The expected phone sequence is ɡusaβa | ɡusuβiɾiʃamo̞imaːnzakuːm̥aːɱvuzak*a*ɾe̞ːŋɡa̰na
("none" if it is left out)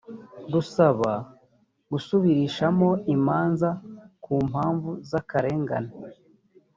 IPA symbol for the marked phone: a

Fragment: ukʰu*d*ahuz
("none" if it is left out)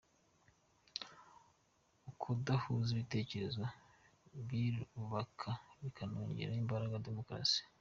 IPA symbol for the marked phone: d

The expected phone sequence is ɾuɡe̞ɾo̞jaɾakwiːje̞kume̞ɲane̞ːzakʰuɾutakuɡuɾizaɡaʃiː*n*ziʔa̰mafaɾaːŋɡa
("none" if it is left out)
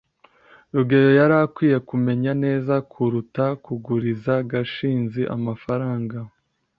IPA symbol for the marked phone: n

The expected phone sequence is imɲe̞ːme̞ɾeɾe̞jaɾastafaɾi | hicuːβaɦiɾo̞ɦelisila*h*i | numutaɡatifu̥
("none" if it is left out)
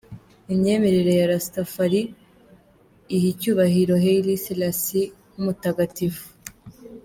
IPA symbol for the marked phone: s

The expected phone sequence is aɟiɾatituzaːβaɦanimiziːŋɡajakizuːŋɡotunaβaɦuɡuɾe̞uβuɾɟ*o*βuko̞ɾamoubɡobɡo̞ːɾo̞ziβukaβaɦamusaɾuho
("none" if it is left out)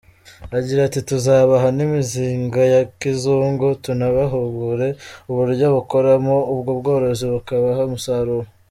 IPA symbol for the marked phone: o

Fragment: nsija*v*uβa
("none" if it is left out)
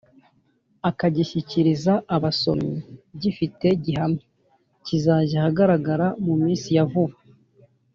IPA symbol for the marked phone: v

